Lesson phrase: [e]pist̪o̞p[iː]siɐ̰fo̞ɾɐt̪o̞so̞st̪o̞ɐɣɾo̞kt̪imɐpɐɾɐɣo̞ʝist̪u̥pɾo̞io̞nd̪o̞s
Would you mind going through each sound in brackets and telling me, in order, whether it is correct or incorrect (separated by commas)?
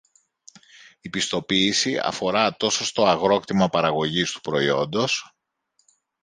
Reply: incorrect, correct